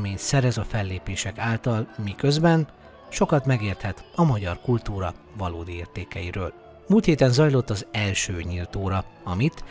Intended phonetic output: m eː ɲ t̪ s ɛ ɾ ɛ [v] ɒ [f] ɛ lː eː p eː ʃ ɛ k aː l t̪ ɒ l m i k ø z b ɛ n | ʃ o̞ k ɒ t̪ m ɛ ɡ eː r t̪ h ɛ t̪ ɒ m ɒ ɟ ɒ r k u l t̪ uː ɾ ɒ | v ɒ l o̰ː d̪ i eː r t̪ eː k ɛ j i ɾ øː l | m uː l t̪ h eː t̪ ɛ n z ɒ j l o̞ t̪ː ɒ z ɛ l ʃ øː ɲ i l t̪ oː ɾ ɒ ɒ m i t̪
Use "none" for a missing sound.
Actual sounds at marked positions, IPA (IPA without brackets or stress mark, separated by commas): z, f